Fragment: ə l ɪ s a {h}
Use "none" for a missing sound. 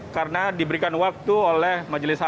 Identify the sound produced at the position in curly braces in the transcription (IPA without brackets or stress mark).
none